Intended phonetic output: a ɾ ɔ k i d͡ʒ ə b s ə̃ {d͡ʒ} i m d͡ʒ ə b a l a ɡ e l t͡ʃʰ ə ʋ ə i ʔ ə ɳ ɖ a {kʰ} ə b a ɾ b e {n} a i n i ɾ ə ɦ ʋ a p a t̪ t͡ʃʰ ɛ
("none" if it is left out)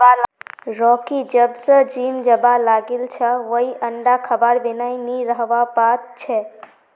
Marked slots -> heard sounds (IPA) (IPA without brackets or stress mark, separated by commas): d͡ʒ, kʰ, n